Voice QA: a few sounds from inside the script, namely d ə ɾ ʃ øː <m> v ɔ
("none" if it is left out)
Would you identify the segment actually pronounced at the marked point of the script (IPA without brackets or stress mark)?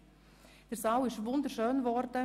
n